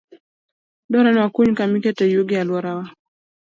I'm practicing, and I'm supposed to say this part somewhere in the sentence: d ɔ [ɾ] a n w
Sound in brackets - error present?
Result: no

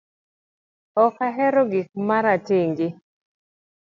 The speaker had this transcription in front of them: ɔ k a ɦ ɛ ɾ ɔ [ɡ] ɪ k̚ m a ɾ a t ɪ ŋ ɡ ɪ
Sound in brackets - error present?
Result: no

